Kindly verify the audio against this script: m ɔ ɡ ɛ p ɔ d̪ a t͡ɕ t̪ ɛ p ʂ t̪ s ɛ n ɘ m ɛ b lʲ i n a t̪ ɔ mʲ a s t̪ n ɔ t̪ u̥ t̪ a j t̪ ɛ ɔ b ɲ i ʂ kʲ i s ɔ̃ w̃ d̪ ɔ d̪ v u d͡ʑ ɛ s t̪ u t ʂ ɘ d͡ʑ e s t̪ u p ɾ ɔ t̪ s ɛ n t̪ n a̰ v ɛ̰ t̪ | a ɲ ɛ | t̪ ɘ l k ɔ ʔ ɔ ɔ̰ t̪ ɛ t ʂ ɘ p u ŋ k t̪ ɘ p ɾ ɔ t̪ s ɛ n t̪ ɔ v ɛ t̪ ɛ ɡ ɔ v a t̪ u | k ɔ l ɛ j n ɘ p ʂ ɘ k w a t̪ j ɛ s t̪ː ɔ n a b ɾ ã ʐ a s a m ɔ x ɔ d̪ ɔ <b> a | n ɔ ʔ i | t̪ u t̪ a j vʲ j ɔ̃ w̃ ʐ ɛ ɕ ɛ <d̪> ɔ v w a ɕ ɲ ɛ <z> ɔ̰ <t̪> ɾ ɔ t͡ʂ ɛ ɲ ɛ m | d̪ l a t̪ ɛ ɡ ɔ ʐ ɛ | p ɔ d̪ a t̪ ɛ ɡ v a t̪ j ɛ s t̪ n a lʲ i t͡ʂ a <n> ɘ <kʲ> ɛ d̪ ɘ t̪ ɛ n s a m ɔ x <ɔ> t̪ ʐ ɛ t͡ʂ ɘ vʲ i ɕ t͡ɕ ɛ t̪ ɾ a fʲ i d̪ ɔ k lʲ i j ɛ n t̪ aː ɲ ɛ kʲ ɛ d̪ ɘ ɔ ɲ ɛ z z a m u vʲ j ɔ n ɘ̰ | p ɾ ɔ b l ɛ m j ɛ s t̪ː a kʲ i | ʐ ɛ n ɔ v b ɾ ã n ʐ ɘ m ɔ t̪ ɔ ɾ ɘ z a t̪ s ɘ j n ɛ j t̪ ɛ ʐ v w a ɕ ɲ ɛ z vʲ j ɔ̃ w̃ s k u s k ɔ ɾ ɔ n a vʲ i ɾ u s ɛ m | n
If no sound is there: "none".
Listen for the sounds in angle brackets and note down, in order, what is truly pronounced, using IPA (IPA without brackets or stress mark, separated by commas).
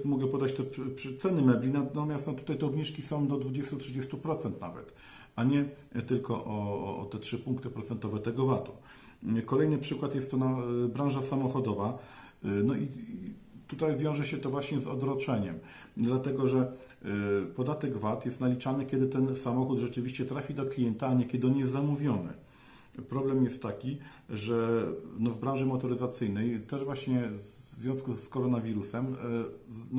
v, t̪, z, d̪, n, kʲ, u